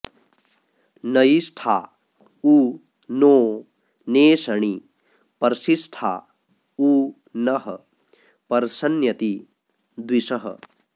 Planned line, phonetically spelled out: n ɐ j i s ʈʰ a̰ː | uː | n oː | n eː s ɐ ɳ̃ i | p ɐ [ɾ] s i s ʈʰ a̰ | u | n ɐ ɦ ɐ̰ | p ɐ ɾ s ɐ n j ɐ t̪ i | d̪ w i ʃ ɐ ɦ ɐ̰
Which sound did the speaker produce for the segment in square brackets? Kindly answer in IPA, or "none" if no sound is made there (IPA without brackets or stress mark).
ɾ